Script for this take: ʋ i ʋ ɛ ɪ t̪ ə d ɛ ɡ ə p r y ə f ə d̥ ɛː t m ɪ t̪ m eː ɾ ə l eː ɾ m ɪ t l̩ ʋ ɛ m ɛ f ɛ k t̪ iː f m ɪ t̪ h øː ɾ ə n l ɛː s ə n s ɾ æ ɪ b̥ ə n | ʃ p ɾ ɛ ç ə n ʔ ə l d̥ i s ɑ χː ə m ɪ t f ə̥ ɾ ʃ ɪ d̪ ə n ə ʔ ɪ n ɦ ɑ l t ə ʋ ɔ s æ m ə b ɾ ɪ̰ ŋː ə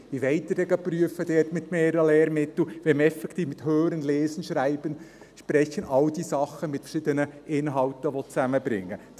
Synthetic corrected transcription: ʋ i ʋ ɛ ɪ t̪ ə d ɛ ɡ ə p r y ə f ə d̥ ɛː t m ɪ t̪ m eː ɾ ə l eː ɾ m ɪ t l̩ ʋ ɛ m ɛ f ɛ k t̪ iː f m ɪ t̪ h øː ɾ ə n l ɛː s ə n ʃ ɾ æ ɪ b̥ ə n | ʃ p ɾ ɛ ç ə n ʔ ɑ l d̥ i s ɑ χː ə m ɪ t f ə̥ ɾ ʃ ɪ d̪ ə n ə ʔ ɪ n ɦ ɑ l t ə ʋ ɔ t͡s æ m ə b ɾ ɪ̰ ŋː ə

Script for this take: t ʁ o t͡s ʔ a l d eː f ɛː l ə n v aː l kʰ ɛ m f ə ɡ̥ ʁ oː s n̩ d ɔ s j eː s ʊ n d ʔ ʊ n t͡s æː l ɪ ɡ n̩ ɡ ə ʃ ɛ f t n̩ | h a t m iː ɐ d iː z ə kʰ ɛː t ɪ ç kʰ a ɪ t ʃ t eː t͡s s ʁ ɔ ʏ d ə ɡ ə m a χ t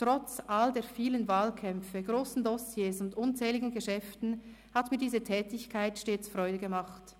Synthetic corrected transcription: t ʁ ɔ t͡s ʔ a l d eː f iː l ə n v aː l kʰ ɛ m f ə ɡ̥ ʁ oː s n̩ d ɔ s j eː s ʊ n d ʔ ʊ n t͡s ɛː l ɪ ɡ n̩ ɡ ə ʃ ɛ f t n̩ | h a t m iː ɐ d iː z ə tʰ ɛː t ɪ ç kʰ a ɪ t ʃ t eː t͡s f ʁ ɔ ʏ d ə ɡ ə m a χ t

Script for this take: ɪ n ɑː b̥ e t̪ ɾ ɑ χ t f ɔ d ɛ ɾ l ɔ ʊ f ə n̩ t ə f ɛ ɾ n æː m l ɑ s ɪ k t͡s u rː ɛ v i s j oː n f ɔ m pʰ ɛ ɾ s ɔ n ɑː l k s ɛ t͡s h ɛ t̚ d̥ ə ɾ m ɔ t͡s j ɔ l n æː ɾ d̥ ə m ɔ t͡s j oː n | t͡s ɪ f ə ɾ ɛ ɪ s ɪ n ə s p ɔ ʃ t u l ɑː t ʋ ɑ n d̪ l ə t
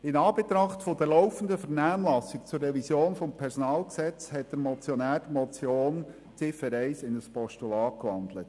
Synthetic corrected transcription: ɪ n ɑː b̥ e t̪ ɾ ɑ χ t f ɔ d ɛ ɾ l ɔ ʊ f ə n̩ d ə f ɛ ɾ n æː m l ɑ s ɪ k t͡s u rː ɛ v i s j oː n f ɔ m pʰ ɛ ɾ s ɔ n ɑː l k s ɛ t͡s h ɛ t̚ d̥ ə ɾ m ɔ t͡s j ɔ n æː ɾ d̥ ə m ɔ t͡s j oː n | t͡s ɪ f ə ɾ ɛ ɪ s ɪ n ə s p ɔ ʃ t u l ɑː k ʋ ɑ n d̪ l ə t

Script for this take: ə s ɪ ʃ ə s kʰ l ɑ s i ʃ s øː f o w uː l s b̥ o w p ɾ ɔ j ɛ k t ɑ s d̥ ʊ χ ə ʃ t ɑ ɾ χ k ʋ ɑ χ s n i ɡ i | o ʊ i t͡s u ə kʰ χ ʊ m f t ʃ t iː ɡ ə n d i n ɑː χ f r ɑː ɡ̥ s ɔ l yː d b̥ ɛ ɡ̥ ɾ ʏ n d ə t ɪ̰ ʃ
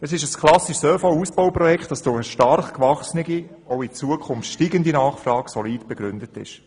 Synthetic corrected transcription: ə s ɪ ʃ ə s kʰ l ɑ s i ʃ s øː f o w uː s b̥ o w p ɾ ɔ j ɛ k t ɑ s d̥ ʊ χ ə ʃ t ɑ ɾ χ k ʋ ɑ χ s n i ɡ i | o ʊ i t͡s u ə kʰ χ ʊ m f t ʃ t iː ɡ ə n d i n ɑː χ f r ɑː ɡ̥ s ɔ l iː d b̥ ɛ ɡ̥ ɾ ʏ n d ə t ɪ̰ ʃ

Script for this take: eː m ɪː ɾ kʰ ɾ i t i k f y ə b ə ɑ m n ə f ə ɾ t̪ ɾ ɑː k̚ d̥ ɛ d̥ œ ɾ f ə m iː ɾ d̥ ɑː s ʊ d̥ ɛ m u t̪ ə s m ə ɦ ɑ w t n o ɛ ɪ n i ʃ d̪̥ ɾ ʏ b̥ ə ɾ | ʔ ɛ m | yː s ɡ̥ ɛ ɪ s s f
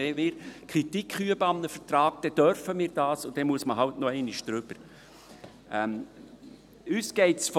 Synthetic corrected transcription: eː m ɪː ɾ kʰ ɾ i t i k χ y ə b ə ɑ m n ə f ə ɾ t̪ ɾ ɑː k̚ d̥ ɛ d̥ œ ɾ f ə m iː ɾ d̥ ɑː s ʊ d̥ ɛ m u ə s m ə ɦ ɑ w t n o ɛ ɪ n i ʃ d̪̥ ɾ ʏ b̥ ə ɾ | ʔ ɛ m | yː s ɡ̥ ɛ ɪ t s f

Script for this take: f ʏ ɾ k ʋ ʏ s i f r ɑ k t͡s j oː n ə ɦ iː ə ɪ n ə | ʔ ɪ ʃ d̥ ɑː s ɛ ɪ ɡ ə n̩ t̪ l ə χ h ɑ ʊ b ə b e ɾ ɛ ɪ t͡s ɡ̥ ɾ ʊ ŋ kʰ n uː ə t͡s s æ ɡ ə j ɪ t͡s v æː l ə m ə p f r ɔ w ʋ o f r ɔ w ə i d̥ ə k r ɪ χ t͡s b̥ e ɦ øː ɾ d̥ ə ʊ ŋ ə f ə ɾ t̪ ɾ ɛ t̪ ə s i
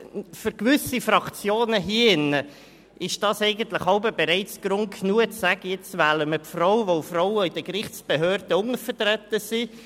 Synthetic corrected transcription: f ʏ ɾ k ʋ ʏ s i f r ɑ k t͡s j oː n ə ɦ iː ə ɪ n ə | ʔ ɪ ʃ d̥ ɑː s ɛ ɪ ɡ ə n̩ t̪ l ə χ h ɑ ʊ b ə b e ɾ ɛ ɪ t͡s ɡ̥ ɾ ʊ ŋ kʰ n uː ə t͡s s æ ɡ ə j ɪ t͡s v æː l ə m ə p f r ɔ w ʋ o f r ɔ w ə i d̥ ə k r ɪ χ t͡s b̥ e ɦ øː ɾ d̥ ə ʊ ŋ ə f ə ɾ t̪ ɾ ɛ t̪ ə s i

